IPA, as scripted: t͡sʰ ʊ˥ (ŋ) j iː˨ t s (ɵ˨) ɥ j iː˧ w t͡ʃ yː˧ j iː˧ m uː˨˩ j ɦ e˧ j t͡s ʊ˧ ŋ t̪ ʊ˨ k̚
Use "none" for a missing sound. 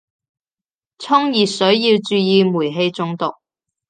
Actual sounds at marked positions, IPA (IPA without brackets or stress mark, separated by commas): ŋ, ɵ˨˥